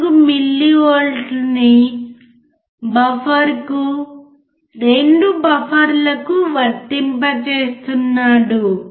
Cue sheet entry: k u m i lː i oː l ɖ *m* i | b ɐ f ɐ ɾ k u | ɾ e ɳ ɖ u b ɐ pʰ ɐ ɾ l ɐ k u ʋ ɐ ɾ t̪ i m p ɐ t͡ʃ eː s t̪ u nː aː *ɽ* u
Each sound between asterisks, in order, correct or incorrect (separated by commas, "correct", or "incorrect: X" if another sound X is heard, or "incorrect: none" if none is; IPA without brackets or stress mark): incorrect: n, correct